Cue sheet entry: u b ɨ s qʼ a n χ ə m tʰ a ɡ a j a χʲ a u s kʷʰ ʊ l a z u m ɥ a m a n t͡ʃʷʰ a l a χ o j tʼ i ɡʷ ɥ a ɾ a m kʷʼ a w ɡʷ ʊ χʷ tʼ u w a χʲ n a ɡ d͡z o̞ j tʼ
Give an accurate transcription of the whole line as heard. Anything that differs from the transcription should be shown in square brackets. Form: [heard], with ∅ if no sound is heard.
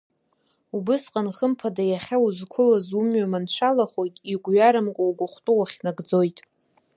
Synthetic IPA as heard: u b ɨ s qʼ a n χ ə m [pʰ] a [d] a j a χʲ a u [z] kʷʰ ʊ l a z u m ɥ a m a n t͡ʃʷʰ a l a χ o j tʼ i ɡʷ ɥ a ɾ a m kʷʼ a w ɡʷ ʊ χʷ tʼ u w a χʲ n a ɡ d͡z o̞ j tʼ